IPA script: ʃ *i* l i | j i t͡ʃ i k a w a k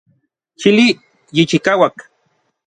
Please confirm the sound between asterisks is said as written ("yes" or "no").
yes